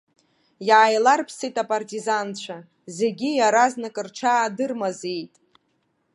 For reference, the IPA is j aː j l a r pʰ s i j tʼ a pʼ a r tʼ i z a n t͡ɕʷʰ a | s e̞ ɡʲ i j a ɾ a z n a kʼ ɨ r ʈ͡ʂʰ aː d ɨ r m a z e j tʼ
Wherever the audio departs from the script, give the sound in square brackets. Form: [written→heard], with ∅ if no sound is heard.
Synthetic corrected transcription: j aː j l a r pʰ s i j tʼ a pʼ a r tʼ i z a n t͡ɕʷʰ a | [s→z] e̞ ɡʲ i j a ɾ a z n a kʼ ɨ r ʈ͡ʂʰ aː d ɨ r m a z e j tʼ

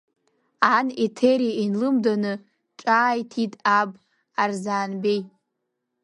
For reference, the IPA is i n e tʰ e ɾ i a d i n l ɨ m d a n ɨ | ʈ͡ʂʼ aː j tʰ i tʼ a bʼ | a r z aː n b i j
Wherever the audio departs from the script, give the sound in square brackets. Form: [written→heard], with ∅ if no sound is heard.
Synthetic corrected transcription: [i→a] n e tʰ e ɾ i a [d→∅] i n l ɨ m d a n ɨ | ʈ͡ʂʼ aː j tʰ i tʼ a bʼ | a r z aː n b [i→e] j

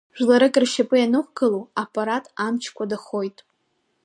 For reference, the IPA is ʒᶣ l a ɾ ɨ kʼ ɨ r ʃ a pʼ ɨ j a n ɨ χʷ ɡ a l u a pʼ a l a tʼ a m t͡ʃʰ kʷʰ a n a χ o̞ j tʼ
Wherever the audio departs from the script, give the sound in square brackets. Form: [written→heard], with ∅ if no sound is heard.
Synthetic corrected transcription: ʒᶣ l a ɾ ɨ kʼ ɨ r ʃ a pʼ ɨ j a n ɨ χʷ ɡ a l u a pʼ a [l→ɾ] a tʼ a m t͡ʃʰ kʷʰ a [n→d] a χ o̞ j tʼ

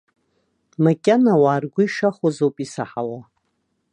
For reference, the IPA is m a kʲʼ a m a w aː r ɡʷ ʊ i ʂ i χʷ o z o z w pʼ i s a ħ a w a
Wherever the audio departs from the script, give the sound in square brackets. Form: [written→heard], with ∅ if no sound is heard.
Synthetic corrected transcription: m a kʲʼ a [m→n] a w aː r ɡʷ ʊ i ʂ [i→a] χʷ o z o [z→∅] w pʼ i s a ħ a w a

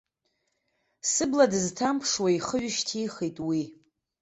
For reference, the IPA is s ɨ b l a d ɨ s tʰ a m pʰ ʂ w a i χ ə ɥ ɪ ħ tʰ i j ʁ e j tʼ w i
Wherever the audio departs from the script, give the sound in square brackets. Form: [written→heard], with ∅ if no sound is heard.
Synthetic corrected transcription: s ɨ b l a d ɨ [s→z] tʰ a m pʰ ʂ w a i χ ə ɥ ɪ [ħ→ʃ] tʰ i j [ʁ→χ] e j tʼ w i

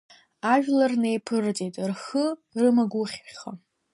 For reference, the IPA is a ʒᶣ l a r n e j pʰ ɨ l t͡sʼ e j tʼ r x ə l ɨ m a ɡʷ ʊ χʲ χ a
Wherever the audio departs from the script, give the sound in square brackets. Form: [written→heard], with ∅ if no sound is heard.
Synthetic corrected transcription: a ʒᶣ l a r n e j pʰ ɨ [l→r] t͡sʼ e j tʼ r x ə [l→r] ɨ m a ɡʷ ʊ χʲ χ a

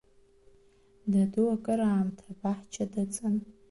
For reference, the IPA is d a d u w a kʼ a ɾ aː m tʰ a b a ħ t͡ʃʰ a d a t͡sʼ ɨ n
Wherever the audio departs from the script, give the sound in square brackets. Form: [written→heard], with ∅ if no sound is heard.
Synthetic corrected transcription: d a d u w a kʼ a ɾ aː m tʰ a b a ħ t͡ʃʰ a d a t͡sʼ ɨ n

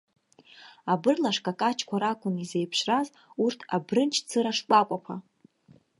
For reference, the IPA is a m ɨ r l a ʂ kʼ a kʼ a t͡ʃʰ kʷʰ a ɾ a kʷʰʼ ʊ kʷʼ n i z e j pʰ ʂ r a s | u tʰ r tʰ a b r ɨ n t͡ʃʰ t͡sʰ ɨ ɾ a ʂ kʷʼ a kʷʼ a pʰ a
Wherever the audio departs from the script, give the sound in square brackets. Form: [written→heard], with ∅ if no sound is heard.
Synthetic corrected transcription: a [m→b] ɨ r l a ʂ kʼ a kʼ a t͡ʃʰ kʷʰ a ɾ a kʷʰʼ ʊ [kʷʼ→∅] n i z e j pʰ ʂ r a [s→z] | u [tʰ→∅] r tʰ a b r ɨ n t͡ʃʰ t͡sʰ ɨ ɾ a ʂ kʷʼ a kʷʼ a pʰ a

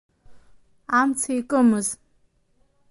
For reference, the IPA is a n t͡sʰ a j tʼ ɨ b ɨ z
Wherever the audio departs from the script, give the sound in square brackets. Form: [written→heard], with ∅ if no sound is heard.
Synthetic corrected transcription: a [n→m] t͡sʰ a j [tʼ→kʼ] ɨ [b→m] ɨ z

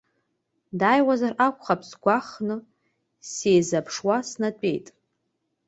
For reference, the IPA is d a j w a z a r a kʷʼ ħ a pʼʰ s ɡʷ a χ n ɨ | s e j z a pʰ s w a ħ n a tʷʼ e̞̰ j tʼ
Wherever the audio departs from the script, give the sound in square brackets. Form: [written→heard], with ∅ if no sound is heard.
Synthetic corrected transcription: d a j w a z a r a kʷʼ [ħ→χ] a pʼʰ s ɡʷ a χ n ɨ | s e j z a pʰ [s→ʂ] w a [ħ→s] n a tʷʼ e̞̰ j tʼ

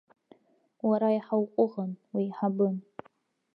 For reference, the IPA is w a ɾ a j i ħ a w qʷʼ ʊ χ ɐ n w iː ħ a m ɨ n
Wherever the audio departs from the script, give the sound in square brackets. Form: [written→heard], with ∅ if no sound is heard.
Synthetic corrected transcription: w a ɾ a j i ħ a w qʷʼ ʊ [χ→ʁ] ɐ n w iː ħ a [m→b] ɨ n

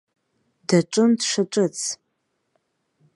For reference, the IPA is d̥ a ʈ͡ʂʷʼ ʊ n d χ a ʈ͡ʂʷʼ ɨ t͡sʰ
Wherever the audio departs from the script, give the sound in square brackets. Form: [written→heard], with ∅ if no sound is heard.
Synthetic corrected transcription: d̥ a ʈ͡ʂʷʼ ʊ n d [χ→ʂ] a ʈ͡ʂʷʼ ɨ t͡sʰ

